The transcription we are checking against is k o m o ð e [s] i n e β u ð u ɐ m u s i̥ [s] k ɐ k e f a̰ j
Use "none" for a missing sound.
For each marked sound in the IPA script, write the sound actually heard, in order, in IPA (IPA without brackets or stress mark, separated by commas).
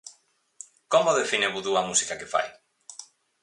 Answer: f, none